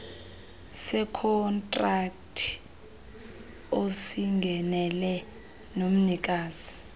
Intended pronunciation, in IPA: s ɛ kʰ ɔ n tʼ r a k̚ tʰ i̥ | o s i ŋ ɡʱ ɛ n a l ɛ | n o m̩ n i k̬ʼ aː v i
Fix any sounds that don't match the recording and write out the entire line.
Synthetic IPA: s ɛ kʰ ɔ n tʼ r a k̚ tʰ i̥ | o s i ŋ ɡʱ ɛ n ɛ l ɛ | n o m̩ n i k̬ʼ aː z i